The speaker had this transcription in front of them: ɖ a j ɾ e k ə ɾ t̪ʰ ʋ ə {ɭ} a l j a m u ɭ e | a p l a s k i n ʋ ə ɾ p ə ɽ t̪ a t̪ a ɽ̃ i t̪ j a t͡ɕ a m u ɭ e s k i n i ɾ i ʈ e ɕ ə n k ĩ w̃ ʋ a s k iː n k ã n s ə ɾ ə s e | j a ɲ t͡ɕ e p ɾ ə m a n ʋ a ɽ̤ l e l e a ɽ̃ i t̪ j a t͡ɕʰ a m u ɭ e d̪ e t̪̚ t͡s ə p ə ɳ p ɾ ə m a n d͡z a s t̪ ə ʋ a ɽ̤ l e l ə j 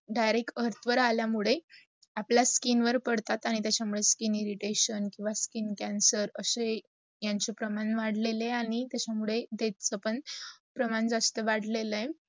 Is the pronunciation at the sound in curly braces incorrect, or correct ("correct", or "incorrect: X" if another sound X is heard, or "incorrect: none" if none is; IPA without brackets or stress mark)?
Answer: incorrect: ɾ